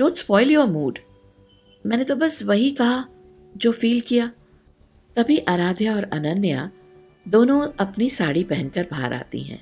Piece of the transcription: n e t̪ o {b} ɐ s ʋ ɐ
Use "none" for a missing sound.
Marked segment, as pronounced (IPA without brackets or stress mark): b